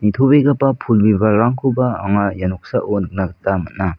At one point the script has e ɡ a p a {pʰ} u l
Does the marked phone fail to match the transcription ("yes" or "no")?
no